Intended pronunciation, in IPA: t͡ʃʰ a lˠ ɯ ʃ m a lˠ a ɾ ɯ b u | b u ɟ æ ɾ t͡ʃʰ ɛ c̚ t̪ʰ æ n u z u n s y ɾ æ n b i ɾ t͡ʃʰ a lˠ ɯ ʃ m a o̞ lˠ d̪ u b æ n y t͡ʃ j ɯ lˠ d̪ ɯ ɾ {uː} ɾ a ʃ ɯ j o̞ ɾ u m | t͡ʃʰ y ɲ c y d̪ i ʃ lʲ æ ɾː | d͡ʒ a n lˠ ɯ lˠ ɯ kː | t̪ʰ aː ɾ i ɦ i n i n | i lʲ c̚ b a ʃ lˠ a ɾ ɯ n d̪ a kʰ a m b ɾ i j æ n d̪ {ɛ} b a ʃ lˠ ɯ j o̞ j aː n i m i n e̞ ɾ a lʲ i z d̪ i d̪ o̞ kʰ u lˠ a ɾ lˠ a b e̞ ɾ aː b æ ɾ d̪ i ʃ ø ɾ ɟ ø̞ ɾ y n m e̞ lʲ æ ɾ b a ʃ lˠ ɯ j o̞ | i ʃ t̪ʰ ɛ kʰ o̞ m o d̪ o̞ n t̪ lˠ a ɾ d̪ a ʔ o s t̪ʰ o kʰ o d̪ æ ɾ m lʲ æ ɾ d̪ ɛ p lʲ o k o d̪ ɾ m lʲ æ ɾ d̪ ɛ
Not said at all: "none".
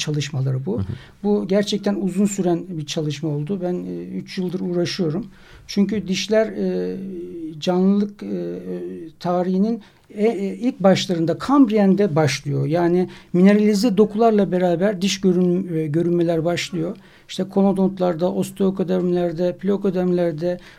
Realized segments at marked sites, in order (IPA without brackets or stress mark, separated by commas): uː, ɛ